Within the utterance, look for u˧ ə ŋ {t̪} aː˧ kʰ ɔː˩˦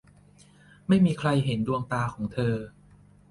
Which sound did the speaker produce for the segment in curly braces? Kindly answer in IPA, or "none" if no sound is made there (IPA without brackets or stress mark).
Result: t̪